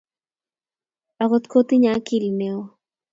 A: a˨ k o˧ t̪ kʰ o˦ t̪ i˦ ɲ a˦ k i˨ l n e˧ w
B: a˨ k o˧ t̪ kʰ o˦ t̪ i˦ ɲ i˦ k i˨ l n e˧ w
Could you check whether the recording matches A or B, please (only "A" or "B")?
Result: A